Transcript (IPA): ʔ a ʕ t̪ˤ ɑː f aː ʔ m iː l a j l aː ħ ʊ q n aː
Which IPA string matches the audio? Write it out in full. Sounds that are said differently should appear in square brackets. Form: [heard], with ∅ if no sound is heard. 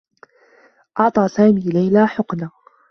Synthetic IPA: ʔ [ɑ] ʕ t̪ˤ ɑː [s] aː [∅] m iː l a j l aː ħ ʊ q n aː